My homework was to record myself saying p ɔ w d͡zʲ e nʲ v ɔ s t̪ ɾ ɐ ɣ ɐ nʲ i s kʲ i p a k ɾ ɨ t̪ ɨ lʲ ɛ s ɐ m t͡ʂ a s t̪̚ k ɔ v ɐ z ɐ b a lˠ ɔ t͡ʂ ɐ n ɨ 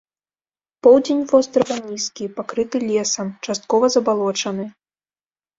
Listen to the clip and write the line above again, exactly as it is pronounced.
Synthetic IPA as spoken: p ɔ w d͡zʲ e nʲ v ɔ s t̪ ɾ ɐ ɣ ɐ nʲ i s kʲ i p a k ɾ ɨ t̪ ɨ lʲ ɛ s ɐ m t͡ʂ a s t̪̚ k ɔ v ɐ z ɐ b a lˠ ɔ t͡ʂ ɐ n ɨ